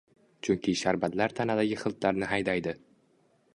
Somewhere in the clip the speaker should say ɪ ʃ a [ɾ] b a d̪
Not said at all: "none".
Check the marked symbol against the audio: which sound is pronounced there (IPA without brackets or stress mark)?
ɾ